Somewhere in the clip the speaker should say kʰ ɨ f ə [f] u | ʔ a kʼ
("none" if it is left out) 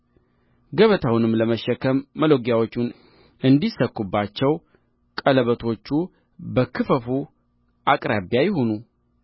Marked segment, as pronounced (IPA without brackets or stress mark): f